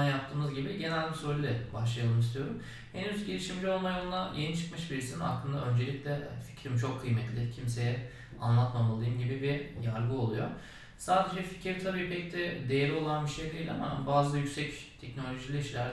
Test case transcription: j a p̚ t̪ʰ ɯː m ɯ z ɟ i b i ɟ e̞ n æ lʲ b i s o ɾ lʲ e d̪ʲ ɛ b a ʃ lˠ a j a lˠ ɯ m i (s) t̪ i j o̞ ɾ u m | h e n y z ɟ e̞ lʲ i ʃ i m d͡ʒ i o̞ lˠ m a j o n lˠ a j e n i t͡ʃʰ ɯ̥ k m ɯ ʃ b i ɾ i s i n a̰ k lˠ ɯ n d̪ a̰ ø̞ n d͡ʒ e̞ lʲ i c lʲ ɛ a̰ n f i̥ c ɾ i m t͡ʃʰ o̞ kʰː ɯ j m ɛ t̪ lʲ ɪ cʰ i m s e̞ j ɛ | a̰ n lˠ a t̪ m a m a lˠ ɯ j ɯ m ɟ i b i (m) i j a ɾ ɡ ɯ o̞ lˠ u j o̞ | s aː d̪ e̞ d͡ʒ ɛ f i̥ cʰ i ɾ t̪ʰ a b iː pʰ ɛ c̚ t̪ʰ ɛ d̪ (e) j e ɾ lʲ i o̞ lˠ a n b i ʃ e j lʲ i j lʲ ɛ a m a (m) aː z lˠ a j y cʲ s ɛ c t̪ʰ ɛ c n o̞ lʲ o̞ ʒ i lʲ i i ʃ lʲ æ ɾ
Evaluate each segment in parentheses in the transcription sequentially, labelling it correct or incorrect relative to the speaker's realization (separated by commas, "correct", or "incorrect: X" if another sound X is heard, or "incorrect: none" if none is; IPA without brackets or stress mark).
correct, incorrect: b, correct, incorrect: b